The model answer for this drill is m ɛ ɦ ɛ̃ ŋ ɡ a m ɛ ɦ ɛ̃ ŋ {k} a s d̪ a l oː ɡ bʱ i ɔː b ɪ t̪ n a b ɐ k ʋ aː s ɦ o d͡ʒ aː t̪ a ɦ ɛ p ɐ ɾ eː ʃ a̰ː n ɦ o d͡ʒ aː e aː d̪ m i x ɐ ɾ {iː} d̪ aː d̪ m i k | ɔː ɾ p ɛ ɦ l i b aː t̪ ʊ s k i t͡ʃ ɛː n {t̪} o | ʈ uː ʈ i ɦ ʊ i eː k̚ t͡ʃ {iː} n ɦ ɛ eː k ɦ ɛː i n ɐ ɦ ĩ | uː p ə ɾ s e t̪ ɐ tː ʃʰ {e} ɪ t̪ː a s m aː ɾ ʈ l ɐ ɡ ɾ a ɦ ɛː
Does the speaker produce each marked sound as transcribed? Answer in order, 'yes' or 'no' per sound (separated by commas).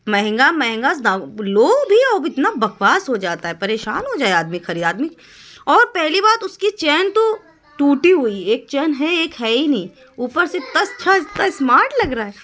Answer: no, yes, yes, no, no